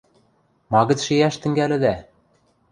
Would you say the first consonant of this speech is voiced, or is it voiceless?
voiced